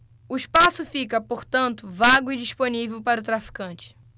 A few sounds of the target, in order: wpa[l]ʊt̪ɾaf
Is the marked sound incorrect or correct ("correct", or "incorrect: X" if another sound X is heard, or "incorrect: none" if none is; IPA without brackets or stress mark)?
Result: incorrect: ɾ